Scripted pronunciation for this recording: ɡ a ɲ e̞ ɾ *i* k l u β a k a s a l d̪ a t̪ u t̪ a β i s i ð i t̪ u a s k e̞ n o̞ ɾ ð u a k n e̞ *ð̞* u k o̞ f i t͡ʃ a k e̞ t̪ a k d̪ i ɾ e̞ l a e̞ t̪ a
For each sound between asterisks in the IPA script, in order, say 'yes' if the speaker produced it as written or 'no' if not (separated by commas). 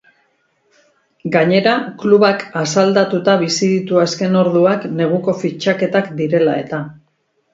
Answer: no, no